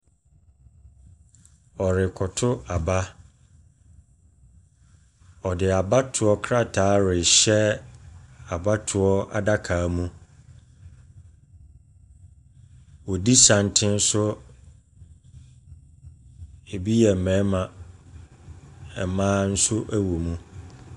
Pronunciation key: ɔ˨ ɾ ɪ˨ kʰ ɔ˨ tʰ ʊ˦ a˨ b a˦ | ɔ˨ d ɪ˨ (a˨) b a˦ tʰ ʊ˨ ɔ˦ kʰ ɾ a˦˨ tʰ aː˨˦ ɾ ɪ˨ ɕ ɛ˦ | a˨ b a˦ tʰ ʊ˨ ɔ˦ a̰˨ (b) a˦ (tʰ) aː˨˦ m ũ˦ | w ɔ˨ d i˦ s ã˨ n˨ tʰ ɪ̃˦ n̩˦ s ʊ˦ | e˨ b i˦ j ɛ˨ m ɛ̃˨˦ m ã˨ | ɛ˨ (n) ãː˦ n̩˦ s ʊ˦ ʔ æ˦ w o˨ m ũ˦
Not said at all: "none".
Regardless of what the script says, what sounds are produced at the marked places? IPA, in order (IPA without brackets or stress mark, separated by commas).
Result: a˨, d, kʰ, m